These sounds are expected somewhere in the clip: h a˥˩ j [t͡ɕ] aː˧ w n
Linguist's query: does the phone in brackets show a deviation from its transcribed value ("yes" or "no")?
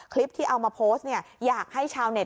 yes